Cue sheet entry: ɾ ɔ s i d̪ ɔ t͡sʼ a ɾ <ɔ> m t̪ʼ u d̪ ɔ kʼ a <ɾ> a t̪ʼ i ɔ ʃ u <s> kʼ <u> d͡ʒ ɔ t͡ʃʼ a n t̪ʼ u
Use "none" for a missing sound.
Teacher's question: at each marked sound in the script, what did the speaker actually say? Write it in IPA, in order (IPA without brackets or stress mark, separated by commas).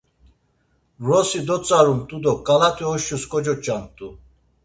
u, l, s, ɔ